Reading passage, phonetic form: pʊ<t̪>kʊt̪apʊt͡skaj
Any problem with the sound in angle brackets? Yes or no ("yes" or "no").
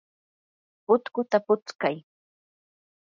no